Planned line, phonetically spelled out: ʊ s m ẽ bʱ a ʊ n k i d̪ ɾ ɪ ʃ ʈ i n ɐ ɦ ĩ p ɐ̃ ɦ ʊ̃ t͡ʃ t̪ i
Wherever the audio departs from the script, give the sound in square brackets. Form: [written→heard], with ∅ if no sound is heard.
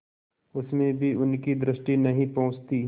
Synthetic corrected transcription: ʊ s m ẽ bʱ [a→i] ʊ n k i d̪ ɾ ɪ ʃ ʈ i n ɐ ɦ ĩ p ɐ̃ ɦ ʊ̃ t͡ʃ t̪ i